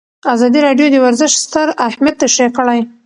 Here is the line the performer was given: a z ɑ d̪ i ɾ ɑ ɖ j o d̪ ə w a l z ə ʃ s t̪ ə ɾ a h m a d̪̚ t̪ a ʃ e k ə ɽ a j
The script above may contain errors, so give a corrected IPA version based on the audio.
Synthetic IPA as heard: a z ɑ d̪ i ɾ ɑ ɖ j o d̪ ə w a ɾ z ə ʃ s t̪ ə ɾ a h m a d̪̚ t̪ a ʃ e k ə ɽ a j